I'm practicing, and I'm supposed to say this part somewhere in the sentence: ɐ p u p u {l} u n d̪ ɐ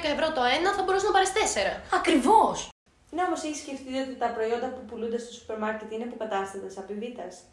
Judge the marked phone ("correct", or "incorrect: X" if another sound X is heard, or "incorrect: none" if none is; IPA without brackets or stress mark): correct